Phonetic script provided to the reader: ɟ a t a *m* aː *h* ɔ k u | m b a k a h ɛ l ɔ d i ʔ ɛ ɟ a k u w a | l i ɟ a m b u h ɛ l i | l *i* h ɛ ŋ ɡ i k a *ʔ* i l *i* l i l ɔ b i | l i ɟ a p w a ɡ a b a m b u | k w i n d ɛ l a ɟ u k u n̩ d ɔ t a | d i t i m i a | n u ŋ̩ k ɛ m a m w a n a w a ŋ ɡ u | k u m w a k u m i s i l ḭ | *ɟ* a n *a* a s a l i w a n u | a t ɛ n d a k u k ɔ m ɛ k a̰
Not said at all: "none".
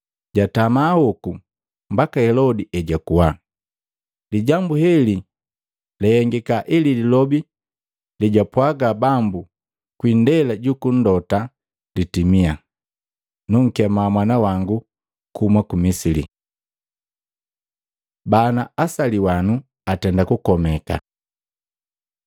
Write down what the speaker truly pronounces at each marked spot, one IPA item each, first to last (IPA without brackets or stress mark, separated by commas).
m, h, ɛ, ʔ, i, b, a